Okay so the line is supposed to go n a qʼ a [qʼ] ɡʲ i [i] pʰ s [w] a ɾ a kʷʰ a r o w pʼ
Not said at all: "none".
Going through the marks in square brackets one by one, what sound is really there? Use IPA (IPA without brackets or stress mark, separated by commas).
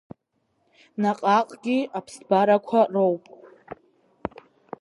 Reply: qʼ, a, b